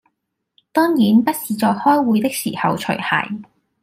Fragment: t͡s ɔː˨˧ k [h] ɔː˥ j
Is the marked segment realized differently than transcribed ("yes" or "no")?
no